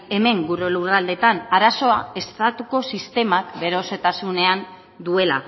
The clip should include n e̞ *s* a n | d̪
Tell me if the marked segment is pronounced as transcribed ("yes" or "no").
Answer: no